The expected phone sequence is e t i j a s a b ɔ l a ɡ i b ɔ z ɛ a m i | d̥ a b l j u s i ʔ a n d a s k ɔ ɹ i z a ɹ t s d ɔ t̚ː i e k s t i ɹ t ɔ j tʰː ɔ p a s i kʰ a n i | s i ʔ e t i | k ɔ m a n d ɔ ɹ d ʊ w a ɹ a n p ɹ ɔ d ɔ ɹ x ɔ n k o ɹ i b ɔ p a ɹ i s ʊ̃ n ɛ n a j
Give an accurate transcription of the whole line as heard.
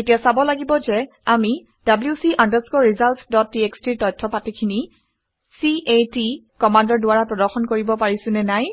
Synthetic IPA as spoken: e t i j a s a b ɔ l a ɡ i b ɔ z ɛ a m i | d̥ a b l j u s i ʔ a n d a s k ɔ ɹ i z a l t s d ɔ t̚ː i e k s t i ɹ t ɔ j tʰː ɔ p a t i kʰ i n i | s i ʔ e t i | k ɔ m a n d ɔ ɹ d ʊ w a ɹ a p ɹ ɔ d ɔ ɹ x ɔ n k o ɹ i b ɔ p a ɹ i s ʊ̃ n ɛ n a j